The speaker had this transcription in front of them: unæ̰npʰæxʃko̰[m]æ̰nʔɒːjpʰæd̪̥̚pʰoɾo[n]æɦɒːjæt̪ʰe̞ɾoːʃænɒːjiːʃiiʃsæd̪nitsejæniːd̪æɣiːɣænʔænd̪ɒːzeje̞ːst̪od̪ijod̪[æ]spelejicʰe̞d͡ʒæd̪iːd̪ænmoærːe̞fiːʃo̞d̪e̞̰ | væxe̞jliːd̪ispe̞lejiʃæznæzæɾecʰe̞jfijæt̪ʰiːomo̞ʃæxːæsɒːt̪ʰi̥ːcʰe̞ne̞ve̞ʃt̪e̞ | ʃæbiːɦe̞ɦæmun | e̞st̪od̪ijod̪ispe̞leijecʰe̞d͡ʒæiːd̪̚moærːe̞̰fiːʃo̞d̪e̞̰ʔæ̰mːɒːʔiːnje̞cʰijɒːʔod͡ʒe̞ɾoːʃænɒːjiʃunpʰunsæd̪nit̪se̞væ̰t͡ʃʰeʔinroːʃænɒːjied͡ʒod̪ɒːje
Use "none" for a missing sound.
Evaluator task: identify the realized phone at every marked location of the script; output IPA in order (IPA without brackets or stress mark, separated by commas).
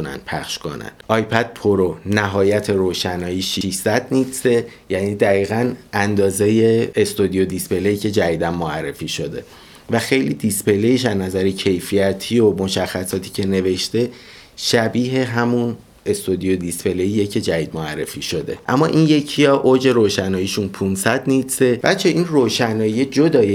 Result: n, n, i